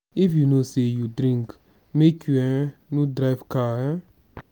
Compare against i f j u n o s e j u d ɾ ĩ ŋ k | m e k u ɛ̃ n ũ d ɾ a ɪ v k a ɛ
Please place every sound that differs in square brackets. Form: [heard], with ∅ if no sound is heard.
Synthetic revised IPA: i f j u n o s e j u d ɾ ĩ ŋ k | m e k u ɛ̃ n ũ d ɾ a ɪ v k a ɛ